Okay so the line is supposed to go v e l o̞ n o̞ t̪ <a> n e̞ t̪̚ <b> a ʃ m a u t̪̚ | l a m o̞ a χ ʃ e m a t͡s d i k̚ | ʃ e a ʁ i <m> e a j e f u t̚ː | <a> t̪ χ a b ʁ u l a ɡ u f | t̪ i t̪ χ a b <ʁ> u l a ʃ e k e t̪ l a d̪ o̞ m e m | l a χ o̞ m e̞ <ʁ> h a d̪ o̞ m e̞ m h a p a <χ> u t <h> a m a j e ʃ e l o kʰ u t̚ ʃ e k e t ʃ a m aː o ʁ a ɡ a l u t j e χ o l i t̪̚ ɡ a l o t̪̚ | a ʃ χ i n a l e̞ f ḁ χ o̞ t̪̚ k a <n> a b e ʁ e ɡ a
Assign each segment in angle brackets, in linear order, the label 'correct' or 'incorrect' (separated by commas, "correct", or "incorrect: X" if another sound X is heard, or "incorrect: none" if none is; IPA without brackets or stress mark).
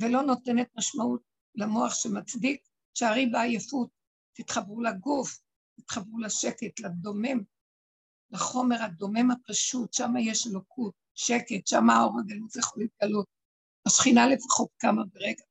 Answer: incorrect: e, incorrect: m, incorrect: b, incorrect: i, correct, correct, incorrect: ʃ, incorrect: ʃ, incorrect: m